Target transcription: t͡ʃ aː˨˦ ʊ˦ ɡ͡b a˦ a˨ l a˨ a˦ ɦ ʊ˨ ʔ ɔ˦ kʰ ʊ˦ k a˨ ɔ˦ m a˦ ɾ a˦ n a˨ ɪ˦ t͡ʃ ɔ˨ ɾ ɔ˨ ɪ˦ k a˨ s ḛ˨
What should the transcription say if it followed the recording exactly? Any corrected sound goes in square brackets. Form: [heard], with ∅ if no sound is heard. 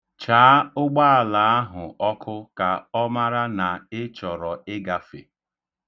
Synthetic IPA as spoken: t͡ʃ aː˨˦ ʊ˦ ɡ͡b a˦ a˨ l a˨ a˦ ɦ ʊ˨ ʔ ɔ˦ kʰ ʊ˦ k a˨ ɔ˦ m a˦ ɾ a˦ n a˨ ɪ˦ t͡ʃ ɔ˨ ɾ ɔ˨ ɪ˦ [ɡ] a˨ [f] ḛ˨